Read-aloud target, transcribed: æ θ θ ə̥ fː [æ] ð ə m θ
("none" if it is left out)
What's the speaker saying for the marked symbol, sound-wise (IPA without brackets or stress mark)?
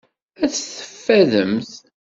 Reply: æ